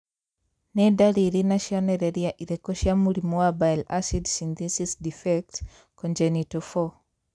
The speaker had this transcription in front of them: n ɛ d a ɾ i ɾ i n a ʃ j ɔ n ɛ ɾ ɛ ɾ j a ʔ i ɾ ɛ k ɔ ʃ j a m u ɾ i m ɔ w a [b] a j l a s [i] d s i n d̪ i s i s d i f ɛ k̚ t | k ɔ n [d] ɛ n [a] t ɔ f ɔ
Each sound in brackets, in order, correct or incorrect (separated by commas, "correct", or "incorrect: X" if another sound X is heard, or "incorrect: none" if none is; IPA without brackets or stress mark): correct, correct, incorrect: d͡ʒ, incorrect: i